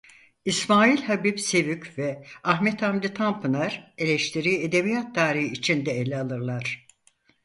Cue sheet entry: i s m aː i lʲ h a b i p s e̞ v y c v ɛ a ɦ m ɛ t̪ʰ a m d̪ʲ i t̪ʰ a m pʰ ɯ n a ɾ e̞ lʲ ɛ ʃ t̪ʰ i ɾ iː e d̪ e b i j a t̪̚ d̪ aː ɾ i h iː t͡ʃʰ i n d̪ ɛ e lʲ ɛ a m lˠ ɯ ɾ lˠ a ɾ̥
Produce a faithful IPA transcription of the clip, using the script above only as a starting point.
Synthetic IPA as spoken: i s m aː i lʲ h a b i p s e̞ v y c v ɛ a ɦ m ɛ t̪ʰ a m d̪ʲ i t̪ʰ a m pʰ ɯ n a ɾ e̞ lʲ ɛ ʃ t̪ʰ i ɾ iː e d̪ e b i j a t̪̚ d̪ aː ɾ i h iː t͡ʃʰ i n d̪ ɛ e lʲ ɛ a lˠ ɯ ɾ lˠ a ɾ̥